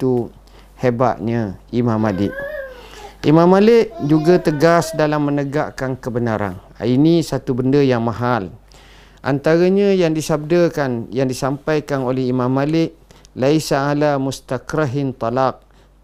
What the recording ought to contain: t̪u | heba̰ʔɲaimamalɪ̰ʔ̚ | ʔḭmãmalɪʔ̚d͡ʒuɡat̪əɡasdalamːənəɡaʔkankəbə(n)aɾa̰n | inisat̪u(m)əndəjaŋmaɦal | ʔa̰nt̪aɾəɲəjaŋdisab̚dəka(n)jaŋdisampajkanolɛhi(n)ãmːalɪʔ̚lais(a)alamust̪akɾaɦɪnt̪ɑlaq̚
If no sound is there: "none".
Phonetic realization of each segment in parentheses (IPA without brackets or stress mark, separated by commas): n, b, n, m, a